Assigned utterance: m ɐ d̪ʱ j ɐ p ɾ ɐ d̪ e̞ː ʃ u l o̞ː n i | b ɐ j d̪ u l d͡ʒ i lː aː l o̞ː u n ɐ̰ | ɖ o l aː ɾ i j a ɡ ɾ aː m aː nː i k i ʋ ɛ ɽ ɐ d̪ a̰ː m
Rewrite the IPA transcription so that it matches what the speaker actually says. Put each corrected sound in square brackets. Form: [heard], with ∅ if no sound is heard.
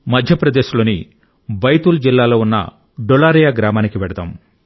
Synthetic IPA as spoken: m ɐ d̪ʱ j ɐ p ɾ ɐ d̪ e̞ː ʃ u l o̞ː n i | b ɐ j [t̪] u l d͡ʒ i lː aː l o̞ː u [nː] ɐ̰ | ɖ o l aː ɾ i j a ɡ ɾ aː m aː [n] i k i ʋ ɛ ɽ ɐ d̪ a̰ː m